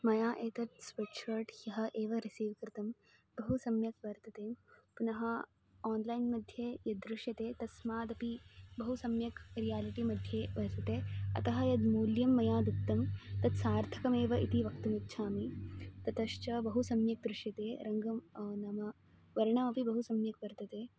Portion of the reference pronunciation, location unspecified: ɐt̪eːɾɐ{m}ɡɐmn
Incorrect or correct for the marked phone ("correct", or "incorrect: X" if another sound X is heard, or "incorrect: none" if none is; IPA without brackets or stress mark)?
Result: incorrect: ŋ